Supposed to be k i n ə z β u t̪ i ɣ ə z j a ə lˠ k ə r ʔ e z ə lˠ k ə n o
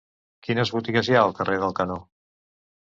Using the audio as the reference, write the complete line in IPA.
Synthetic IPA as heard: k i n ə z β u t̪ i ɣ ə z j a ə lˠ k ə r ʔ e ð ə lˠ k ə n o